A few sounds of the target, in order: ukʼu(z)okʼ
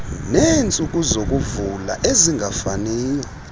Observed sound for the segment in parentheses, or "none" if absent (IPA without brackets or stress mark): z